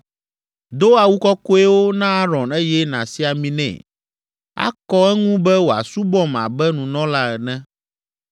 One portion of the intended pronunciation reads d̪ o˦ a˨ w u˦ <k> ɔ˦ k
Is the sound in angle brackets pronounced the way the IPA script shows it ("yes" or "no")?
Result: yes